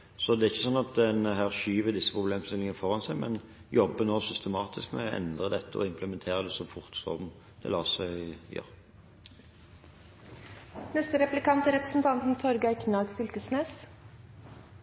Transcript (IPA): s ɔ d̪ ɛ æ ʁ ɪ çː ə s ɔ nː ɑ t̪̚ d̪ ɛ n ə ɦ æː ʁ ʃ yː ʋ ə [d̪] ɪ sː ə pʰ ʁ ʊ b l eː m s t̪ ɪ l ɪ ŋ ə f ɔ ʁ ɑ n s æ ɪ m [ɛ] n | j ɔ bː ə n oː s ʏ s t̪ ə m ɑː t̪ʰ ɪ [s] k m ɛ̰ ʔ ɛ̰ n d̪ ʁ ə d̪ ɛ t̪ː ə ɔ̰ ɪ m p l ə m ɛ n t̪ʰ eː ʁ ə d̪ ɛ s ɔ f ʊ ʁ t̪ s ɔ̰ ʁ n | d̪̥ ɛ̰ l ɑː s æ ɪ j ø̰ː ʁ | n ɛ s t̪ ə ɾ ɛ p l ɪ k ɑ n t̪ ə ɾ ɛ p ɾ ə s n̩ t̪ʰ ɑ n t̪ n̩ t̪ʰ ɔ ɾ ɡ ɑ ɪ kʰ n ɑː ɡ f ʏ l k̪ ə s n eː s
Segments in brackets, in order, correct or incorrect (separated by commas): correct, correct, correct